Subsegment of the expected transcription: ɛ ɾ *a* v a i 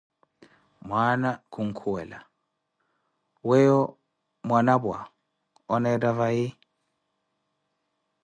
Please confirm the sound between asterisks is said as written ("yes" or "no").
yes